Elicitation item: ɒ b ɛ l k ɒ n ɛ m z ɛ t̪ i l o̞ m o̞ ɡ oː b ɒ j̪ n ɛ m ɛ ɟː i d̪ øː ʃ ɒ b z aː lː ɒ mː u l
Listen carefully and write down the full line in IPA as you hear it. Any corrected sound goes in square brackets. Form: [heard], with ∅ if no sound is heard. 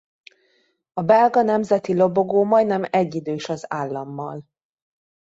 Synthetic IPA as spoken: ɒ b ɛ l [ɡ] ɒ n ɛ m z ɛ t̪ i l o̞ [b] o̞ ɡ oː [m] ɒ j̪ n ɛ m ɛ ɟː i d̪ øː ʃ ɒ [∅] z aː lː ɒ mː [ɒ] l